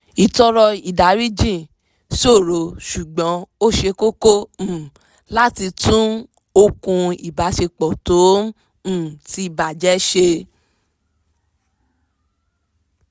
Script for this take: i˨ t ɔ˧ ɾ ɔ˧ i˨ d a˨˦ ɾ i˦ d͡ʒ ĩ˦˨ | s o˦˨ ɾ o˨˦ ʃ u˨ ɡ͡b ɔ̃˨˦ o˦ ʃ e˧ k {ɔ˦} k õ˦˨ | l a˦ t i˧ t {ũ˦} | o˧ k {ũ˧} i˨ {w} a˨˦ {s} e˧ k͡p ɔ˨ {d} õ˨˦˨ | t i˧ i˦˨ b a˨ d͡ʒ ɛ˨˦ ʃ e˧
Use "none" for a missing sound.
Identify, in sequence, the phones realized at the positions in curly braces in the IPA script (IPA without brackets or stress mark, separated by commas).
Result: o˦, ũ˦, ũ˧, b, ʃ, t